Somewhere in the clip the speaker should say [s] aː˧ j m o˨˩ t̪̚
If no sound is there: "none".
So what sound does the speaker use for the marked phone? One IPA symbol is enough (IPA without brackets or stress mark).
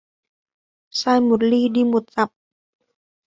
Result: s